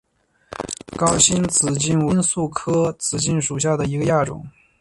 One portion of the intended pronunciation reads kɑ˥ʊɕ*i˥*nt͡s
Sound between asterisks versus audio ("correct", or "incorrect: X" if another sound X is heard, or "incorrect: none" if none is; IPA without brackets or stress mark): correct